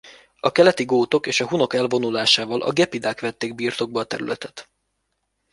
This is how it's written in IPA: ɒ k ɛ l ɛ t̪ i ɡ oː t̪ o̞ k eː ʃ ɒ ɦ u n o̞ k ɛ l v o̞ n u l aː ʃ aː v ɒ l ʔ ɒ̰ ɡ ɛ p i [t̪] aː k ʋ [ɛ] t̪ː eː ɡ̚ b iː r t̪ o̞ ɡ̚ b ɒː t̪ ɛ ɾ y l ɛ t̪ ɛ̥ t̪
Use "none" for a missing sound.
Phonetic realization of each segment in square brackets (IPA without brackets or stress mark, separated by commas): d̪, ɛ